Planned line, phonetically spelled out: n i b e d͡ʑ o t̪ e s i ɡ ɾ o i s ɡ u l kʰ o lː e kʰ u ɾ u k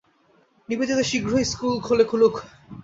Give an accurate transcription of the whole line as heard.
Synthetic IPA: n i b e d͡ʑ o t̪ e ʃ i ɡ ɾ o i s k u l kʰ o l e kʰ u l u k